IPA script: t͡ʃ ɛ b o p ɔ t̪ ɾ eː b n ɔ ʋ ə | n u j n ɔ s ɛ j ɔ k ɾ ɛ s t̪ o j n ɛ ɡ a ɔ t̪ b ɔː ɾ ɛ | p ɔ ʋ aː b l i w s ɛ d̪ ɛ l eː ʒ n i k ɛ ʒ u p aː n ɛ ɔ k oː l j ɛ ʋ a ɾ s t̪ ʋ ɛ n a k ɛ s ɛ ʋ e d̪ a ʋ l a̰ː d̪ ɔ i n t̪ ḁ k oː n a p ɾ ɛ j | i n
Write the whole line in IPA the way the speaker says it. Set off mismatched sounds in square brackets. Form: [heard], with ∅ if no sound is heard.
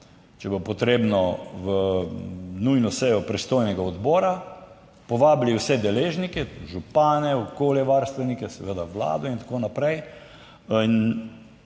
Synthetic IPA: t͡ʃ ɛ b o p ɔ t̪ ɾ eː b n ɔ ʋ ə | n u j n ɔ s ɛ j ɔ [p] ɾ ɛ s t̪ o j n ɛ ɡ a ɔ [d̪] b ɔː ɾ [a] | p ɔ ʋ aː b l i w s ɛ d̪ ɛ l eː ʒ n i k ɛ ʒ u p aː n ɛ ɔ k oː l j ɛ ʋ a ɾ s t̪ ʋ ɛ n [i] k ɛ s ɛ ʋ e d̪ a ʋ l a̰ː d̪ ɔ i n t̪ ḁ k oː n a p ɾ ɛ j | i n